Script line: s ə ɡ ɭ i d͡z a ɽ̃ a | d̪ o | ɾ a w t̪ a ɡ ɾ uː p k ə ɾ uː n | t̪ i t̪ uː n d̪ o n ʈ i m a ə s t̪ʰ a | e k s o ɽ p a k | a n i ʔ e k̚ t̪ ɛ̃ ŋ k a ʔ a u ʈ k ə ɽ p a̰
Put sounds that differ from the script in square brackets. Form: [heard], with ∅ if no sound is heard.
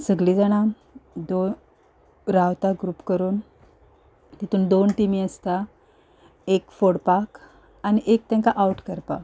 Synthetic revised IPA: s ə ɡ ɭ i d͡z a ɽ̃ a | d̪ o | ɾ a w t̪ a ɡ ɾ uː p k ə ɾ uː n | t̪ i t̪ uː n d̪ o n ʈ i m [i] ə s [t̪] a | e k [f] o ɽ p a k | a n i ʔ e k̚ t̪ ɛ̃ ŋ k a ʔ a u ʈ k ə [ɾ] p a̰